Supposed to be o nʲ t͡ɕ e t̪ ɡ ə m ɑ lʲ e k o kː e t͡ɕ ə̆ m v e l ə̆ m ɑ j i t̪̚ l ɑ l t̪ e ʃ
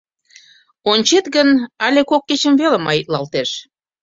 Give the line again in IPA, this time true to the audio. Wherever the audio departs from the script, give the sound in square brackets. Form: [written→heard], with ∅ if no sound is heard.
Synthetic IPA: o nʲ t͡ɕ e t̪ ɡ ə [m→n] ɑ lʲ e k o kː e t͡ɕ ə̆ m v e l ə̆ m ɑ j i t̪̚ l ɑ l t̪ e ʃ